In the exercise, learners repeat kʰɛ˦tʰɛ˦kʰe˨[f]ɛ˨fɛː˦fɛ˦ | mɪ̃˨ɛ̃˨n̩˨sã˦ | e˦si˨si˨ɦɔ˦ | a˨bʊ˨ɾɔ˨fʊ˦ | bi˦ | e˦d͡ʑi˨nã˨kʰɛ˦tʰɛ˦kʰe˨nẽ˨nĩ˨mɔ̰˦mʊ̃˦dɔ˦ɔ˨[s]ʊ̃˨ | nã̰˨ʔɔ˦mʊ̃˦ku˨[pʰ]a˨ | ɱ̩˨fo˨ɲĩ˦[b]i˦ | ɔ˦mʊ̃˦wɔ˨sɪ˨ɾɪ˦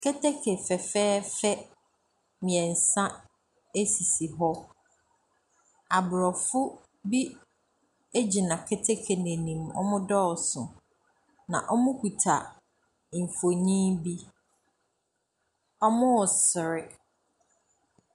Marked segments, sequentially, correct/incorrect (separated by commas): correct, correct, incorrect, correct